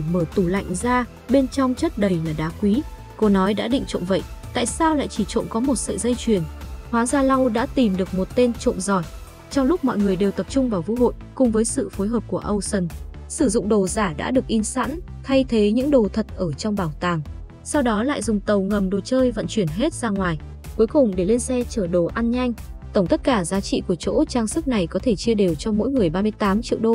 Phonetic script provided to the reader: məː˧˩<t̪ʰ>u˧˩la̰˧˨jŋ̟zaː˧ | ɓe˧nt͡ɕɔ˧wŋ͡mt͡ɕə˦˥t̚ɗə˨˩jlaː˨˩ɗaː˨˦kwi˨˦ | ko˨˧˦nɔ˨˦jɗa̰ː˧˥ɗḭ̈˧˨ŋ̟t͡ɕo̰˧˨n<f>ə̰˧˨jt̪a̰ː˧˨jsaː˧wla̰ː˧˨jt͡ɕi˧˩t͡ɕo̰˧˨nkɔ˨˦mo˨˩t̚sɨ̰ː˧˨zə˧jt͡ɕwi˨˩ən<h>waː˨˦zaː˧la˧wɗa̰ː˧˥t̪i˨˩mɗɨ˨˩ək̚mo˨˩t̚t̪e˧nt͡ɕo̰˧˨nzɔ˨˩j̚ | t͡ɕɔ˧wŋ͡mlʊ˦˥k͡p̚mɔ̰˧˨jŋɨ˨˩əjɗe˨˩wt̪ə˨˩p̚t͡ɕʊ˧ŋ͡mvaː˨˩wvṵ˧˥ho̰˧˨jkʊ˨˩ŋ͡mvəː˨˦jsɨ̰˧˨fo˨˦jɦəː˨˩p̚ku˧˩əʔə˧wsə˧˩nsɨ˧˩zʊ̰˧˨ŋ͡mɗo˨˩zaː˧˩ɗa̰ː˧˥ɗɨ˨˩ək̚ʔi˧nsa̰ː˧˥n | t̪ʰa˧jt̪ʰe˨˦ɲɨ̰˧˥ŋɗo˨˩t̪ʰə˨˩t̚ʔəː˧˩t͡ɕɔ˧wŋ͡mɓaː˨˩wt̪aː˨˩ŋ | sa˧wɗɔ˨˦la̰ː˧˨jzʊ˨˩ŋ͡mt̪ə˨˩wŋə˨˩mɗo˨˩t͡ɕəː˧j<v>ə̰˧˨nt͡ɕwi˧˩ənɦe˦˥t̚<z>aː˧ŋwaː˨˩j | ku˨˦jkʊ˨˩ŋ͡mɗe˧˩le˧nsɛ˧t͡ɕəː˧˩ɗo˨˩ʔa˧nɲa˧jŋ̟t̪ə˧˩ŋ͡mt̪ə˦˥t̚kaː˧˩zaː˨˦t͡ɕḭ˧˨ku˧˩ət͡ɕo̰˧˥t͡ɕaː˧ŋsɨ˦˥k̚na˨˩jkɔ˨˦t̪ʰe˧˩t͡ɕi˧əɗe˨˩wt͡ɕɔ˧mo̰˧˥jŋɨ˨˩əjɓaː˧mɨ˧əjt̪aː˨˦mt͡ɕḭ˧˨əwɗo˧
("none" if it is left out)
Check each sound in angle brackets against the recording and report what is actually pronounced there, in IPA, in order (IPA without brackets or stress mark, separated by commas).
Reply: t̪, v, h, v, z